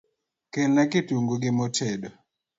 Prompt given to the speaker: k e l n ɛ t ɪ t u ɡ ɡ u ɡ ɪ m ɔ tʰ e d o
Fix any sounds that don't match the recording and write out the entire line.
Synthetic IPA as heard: k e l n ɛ k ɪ t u ŋ ɡ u ɡ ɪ m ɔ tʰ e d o